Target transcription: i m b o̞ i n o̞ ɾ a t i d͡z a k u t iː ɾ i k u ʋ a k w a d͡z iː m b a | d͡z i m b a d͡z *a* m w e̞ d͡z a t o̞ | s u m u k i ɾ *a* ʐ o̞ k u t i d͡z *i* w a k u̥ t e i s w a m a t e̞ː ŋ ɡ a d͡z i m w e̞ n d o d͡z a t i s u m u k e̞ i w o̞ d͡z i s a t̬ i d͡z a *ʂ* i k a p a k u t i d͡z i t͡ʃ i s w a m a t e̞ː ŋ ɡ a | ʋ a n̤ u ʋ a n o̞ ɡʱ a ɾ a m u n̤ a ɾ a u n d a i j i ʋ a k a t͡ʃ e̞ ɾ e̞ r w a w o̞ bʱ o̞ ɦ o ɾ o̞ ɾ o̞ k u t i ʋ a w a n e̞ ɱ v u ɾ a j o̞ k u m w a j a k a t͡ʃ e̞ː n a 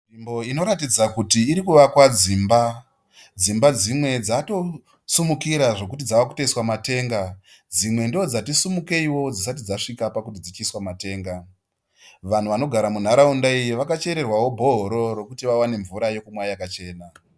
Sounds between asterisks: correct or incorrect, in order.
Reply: incorrect: i, correct, incorrect: a, correct

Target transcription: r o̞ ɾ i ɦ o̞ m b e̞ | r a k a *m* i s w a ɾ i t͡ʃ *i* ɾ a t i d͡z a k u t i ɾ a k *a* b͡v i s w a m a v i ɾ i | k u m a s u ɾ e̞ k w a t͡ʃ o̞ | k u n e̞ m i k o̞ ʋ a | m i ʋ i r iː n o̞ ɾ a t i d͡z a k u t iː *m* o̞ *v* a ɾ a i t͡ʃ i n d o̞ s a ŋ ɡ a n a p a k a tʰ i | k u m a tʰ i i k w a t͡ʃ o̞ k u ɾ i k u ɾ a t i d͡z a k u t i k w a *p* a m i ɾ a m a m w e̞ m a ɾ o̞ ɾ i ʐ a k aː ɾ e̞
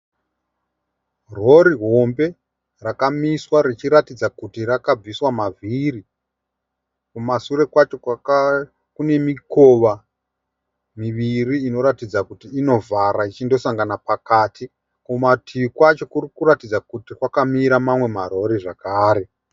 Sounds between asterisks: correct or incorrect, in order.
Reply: correct, correct, correct, incorrect: n, correct, incorrect: k

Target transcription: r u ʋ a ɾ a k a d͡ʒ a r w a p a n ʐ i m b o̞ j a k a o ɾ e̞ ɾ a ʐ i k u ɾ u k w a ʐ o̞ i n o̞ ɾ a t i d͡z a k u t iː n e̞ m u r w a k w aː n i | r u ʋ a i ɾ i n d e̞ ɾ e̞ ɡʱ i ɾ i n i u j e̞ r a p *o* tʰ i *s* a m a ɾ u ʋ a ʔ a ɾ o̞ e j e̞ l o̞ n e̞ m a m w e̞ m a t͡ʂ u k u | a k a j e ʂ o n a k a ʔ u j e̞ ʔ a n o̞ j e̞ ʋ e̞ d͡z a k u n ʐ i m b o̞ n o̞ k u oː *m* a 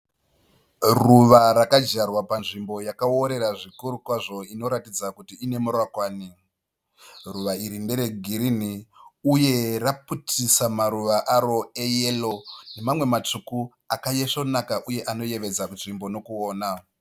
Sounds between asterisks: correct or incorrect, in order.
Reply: incorrect: u, correct, incorrect: n

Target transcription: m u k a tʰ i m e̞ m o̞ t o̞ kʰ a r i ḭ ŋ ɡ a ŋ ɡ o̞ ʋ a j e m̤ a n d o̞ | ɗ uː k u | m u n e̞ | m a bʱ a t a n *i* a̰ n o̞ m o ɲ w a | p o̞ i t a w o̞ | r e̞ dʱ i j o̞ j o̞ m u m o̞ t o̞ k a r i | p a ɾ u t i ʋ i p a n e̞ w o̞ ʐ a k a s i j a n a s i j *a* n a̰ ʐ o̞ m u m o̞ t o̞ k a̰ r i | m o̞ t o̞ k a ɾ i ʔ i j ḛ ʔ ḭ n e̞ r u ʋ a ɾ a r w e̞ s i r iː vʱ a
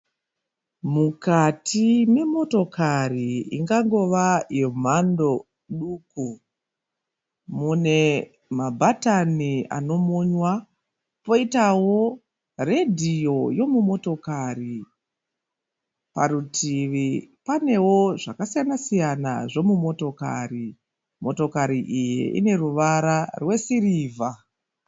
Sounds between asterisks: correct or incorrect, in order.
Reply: correct, correct

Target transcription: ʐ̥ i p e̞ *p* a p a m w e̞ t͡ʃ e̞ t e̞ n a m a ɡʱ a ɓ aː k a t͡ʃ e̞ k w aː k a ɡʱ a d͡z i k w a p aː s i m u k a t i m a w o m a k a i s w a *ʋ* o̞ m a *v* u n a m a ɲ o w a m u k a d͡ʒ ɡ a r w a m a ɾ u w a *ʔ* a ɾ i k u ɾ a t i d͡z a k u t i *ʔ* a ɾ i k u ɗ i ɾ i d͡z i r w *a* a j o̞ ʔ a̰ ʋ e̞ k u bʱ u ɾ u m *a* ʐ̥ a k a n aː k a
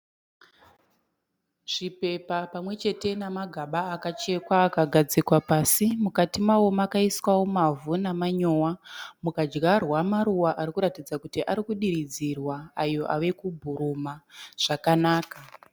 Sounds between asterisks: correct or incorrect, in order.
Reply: correct, incorrect: w, correct, correct, correct, correct, correct

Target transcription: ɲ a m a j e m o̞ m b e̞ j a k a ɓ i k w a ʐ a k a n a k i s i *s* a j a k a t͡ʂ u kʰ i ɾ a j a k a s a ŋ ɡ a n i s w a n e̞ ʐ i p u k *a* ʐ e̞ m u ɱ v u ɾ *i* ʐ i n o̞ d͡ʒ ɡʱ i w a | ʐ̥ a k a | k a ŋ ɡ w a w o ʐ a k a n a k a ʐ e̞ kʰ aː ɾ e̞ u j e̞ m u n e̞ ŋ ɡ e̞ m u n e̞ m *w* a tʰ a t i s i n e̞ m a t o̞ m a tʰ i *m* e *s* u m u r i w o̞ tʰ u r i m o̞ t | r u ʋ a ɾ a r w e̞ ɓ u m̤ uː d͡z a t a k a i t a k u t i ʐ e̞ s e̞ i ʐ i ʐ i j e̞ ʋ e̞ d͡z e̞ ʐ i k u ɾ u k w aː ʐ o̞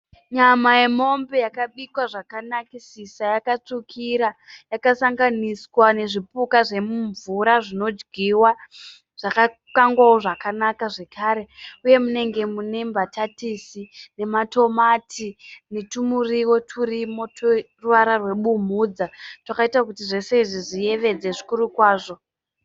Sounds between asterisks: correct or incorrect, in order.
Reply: correct, correct, incorrect: a, incorrect: b, incorrect: n, incorrect: t

